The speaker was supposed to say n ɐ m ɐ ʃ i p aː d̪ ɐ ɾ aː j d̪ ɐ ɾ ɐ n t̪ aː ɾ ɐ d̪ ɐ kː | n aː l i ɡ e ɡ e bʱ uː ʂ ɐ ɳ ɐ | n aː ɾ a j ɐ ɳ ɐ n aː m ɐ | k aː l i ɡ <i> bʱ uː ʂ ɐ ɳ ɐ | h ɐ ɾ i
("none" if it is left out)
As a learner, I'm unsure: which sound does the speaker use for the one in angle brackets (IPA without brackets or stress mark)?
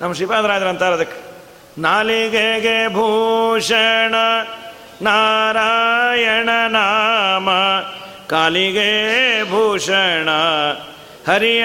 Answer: e